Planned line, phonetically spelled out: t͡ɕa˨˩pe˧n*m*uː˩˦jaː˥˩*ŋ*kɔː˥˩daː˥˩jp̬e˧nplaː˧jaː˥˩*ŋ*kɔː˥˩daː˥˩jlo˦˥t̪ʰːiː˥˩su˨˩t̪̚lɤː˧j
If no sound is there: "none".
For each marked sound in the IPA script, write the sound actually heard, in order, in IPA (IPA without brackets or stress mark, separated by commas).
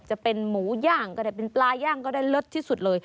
m, ŋ, ŋ